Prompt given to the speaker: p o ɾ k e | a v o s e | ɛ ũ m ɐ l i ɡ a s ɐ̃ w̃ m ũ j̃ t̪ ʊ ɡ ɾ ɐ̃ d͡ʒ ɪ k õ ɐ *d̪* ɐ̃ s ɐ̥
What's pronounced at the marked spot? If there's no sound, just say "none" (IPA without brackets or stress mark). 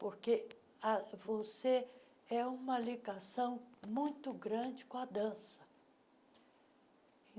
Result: d̪